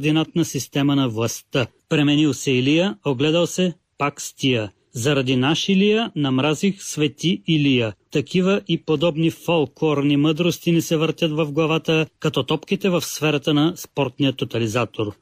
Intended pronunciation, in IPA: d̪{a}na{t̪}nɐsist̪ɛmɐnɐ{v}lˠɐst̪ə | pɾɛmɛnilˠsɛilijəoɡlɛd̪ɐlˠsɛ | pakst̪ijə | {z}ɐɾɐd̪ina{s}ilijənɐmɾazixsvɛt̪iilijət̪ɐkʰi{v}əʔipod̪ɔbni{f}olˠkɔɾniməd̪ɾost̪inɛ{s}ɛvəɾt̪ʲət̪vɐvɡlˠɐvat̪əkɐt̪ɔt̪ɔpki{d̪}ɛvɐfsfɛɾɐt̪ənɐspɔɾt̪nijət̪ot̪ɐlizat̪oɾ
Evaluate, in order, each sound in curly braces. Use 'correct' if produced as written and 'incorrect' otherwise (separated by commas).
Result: incorrect, correct, correct, correct, incorrect, correct, correct, correct, incorrect